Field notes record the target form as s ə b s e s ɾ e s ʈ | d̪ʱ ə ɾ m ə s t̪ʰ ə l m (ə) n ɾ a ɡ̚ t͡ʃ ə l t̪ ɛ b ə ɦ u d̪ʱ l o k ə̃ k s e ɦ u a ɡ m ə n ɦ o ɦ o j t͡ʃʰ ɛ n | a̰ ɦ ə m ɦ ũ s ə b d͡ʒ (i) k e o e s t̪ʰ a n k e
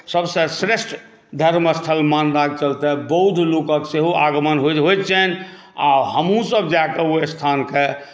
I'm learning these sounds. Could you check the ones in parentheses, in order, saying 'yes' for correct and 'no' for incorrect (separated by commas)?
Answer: no, no